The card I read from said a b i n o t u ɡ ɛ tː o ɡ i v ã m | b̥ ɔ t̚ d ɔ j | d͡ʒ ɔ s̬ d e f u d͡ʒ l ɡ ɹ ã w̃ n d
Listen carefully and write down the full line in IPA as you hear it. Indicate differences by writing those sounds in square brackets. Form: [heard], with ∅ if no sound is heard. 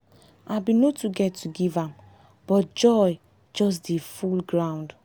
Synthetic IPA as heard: a b i n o t u ɡ ɛ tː [u] ɡ i v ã m | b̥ ɔ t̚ [d͡ʒ] ɔ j | d͡ʒ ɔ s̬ d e f u [∅] l ɡ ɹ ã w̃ n d